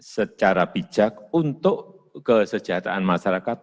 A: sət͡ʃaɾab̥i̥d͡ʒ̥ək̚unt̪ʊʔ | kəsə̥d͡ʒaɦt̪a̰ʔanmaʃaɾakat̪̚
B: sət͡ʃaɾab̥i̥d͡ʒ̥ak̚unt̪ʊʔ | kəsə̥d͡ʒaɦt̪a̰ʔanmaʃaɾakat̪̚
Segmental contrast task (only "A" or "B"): B